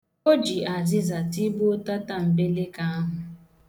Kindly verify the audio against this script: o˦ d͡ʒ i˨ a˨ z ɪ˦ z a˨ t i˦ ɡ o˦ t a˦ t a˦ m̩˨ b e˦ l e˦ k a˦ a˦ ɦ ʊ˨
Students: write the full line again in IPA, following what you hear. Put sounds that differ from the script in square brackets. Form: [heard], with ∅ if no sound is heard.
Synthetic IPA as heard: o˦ d͡ʒ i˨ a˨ z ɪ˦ z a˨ t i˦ [b] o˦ t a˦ t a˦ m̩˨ b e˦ l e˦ k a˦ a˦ ɦ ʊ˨